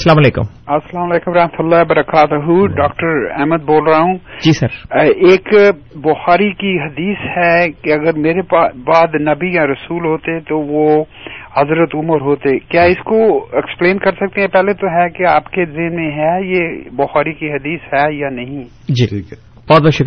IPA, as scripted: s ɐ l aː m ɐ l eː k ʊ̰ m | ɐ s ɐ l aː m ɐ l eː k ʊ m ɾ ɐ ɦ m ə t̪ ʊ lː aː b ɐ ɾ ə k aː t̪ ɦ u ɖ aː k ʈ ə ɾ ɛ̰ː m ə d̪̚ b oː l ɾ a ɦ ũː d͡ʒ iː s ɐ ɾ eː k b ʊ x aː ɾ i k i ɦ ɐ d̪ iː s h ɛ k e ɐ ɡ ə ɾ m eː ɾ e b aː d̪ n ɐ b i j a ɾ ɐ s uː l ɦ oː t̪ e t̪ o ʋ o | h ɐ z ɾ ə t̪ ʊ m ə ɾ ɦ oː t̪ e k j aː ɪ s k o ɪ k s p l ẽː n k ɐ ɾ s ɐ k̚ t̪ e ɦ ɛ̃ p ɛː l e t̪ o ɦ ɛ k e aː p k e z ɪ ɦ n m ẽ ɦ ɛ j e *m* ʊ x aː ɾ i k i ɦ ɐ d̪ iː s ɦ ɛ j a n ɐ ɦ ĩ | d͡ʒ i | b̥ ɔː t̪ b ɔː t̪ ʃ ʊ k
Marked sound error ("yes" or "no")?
yes